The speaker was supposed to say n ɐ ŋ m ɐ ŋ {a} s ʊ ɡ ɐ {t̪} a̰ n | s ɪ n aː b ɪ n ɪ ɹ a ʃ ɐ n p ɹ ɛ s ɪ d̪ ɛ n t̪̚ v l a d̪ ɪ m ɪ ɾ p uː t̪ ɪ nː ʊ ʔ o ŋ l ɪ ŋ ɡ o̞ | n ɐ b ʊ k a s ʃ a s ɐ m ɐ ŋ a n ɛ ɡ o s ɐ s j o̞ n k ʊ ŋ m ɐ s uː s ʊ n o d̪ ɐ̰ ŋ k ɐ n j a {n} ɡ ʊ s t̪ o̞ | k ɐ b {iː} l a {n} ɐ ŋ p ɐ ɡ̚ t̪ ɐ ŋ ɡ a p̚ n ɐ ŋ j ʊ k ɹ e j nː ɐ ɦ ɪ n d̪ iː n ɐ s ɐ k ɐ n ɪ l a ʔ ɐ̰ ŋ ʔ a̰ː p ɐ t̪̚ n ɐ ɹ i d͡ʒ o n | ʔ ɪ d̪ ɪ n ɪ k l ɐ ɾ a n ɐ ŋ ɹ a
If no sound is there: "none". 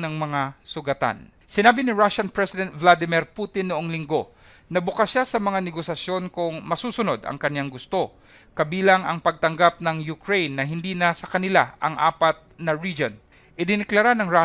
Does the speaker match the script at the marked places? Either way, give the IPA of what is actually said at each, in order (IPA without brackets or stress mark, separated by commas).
a, t̪, ŋ, iː, ŋ